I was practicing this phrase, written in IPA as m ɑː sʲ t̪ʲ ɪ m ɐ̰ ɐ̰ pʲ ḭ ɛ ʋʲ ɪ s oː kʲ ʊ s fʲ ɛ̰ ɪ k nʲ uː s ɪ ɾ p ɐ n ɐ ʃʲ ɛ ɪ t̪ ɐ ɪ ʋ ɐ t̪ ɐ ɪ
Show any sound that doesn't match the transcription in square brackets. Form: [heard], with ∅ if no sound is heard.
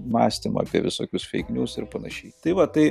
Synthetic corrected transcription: m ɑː sʲ t̪ʲ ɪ m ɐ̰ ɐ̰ pʲ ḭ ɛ ʋʲ ɪ s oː kʲ ʊ s fʲ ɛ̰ ɪ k nʲ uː s ɪ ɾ p ɐ n ɐ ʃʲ ɛ ɪ t̪ ɐ ɪ ʋ ɐ t̪ ɐ ɪ